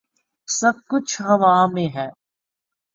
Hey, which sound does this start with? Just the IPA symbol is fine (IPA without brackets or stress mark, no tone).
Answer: s